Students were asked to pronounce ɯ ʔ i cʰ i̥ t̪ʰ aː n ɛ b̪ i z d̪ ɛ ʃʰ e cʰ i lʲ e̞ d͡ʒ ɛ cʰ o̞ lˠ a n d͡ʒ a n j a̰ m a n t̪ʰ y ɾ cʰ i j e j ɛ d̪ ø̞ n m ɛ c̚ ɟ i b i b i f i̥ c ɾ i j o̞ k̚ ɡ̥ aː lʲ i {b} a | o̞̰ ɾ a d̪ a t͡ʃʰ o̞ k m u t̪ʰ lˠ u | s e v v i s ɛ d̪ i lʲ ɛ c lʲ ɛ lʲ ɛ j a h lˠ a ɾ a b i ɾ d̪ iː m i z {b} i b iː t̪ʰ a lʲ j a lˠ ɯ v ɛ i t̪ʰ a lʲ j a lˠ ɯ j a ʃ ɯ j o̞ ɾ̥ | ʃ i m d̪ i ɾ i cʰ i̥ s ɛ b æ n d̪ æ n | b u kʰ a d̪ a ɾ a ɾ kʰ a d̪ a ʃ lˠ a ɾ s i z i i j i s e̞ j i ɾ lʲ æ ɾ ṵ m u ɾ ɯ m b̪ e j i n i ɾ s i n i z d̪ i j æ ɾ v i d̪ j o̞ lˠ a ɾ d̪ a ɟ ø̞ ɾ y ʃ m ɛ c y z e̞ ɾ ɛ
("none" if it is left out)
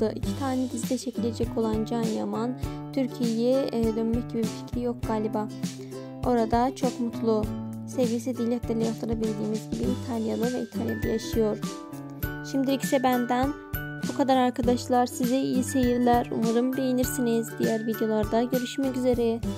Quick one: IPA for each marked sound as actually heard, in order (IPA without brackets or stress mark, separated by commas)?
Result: b, ɟ